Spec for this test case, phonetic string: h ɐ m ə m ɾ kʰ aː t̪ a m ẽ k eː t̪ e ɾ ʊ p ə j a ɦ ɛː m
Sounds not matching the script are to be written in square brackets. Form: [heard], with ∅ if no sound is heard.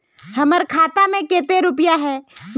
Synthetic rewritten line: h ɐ m ə [∅] ɾ kʰ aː t̪ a m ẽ k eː t̪ e ɾ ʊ p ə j a ɦ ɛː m